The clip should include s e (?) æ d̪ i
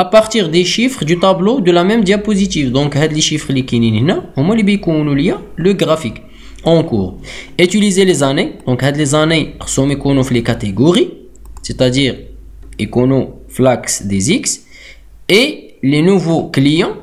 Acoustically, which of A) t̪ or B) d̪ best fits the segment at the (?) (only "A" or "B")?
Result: A